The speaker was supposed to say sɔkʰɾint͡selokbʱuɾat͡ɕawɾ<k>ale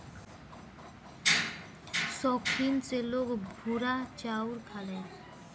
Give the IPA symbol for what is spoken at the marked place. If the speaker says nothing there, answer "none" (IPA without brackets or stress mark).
kʰ